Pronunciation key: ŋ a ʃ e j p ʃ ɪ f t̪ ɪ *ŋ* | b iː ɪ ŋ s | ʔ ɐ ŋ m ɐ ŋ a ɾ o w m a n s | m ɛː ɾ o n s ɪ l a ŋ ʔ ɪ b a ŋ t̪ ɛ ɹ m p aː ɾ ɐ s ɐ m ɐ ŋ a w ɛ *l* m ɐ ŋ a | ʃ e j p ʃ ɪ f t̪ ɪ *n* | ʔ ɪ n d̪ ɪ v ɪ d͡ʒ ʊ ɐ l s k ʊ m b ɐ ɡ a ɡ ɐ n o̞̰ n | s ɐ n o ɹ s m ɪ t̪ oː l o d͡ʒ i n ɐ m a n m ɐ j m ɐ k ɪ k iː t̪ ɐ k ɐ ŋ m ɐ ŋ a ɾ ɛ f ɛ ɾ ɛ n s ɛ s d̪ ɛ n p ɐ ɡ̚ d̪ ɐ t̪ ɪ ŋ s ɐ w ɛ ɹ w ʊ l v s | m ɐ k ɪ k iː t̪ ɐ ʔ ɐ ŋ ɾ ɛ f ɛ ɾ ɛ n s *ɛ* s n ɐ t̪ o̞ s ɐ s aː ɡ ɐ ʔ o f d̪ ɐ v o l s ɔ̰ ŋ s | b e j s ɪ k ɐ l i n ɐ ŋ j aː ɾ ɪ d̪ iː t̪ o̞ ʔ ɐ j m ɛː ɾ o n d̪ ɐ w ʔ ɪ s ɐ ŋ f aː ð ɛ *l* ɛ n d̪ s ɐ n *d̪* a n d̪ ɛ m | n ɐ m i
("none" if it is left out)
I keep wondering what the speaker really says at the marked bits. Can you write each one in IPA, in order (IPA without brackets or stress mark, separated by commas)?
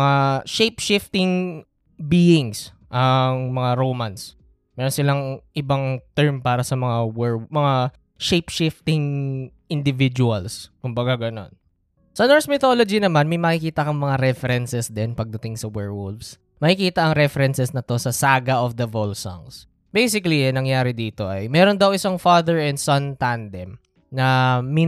ŋ, ɹ, ŋ, ɛ, ɹ, t̪